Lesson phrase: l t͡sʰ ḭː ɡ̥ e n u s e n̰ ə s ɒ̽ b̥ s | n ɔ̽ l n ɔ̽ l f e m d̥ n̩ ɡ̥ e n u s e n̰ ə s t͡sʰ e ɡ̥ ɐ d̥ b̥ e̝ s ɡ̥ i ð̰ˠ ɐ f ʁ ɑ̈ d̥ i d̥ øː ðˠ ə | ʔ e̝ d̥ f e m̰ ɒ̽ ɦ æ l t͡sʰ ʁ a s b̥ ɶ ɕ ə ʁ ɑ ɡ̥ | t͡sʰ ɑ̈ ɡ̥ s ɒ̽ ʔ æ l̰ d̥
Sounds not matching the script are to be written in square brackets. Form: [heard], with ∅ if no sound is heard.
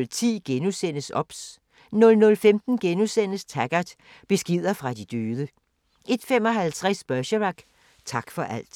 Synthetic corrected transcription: l t͡sʰ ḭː ɡ̥ e n u s e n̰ ə s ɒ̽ b̥ s | n ɔ̽ l n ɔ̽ l f e m d̥ n̩ ɡ̥ e n u s e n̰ ə s t͡sʰ [æ] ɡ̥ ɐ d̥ b̥ e̝ s ɡ̥ i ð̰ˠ ɐ f ʁ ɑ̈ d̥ i d̥ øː ðˠ ə | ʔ e̝ d̥ f e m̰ ɒ̽ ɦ æ l t͡sʰ ʁ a s b̥ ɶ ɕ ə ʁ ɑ ɡ̥ | t͡sʰ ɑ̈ ɡ̥ [f] ɒ̽ ʔ æ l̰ d̥